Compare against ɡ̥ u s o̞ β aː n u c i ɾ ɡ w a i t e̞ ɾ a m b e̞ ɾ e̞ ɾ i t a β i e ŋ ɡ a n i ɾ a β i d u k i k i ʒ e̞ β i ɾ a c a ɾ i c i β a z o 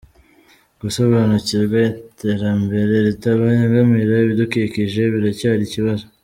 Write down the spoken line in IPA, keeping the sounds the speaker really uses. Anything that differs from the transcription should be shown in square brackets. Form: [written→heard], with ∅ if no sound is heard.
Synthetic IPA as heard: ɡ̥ u s o̞ β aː n u c i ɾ ɡ w a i t e̞ ɾ a m b e̞ ɾ e̞ ɾ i t a β [i→a] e ŋ ɡ a [n→m] i ɾ a β i d u k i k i ʒ e̞ β i ɾ a c a ɾ i c i β a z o